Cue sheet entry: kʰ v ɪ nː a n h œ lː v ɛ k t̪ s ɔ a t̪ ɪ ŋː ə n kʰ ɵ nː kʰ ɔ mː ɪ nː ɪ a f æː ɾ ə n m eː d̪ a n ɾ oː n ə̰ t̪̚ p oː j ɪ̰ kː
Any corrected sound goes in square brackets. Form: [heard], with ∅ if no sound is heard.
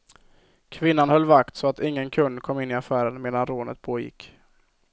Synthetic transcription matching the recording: kʰ v ɪ nː a n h œ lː v [a] k t̪ s ɔ a t̪ ɪ ŋː ə n kʰ ɵ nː kʰ ɔ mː ɪ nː ɪ a f æː ɾ ə n m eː d̪ a n ɾ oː n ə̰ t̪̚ [pʰ] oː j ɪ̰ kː